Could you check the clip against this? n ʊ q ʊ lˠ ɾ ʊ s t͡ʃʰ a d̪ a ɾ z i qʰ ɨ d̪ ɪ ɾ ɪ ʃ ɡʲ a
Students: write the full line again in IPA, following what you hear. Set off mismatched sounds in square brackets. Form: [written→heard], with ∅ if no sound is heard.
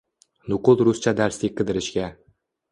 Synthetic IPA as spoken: n ʊ q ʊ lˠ ɾ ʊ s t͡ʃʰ a d̪ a ɾ [z→s] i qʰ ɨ d̪ ɪ ɾ ɪ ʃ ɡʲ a